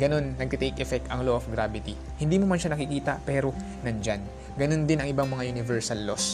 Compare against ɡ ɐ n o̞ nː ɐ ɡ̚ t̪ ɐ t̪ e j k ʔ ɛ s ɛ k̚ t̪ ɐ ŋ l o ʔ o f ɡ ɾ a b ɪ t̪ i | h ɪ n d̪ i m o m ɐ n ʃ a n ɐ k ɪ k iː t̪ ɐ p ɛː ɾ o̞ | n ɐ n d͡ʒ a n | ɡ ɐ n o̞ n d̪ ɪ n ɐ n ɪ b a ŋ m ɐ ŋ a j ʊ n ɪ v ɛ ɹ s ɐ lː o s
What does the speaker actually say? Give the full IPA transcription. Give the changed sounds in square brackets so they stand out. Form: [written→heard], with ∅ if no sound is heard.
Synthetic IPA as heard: ɡ ɐ n o̞ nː ɐ ɡ̚ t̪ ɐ t̪ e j k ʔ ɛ [s→f] ɛ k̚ t̪ ɐ ŋ l o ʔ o f ɡ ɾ a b ɪ t̪ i | h ɪ n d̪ i m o m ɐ n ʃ a n ɐ k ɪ k iː t̪ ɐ p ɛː ɾ o̞ | n ɐ n d͡ʒ a n | ɡ ɐ n o̞ n d̪ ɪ n ɐ [n→ŋ] ɪ b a ŋ m ɐ ŋ a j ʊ n ɪ v ɛ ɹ s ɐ lː o s